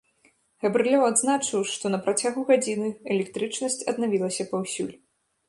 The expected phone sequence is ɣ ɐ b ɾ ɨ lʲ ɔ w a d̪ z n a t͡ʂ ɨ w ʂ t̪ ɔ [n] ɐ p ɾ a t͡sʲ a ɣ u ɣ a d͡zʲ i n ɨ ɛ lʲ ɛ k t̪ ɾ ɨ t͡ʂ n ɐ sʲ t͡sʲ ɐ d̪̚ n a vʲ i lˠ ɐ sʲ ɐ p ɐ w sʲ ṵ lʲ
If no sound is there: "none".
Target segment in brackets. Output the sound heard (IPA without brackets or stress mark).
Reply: n